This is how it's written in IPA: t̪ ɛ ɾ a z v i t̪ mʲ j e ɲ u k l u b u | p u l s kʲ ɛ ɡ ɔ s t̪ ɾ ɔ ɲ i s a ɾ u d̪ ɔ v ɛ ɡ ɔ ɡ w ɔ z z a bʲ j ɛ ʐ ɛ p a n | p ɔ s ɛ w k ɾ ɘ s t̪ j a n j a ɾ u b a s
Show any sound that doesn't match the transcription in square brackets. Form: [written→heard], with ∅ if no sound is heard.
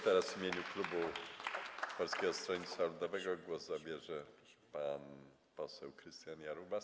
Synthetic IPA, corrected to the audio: t̪ ɛ ɾ a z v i [t̪→∅] mʲ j e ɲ u k l u b u | p [u→ɔ] l s kʲ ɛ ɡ ɔ s t̪ ɾ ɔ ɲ i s a [ɾ→l] u d̪ ɔ v ɛ ɡ ɔ ɡ w ɔ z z a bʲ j ɛ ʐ ɛ p a n | p ɔ s ɛ w k ɾ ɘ s t̪ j a n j a ɾ u b a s